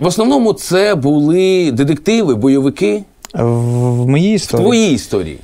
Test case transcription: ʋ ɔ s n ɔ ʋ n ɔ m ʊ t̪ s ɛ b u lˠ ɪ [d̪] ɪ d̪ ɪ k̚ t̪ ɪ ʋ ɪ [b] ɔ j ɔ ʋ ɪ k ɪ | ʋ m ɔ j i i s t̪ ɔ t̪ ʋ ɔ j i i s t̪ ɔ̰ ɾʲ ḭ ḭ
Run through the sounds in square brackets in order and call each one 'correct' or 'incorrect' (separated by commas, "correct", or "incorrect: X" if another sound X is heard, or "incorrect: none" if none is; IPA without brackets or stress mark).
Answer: correct, correct